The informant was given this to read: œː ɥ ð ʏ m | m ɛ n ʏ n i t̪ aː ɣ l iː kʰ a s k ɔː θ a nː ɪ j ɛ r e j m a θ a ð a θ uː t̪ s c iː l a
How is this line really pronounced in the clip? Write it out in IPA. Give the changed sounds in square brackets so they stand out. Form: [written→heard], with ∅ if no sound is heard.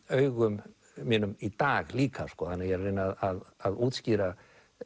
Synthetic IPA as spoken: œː ɥ [ð→ɣ] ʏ m | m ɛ n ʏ [n→m] i t̪ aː ɣ l iː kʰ a s k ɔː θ a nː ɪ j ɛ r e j [m→n] a [θ→ð] a ð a [θ→ð] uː t̪ s c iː [l→ɾ] a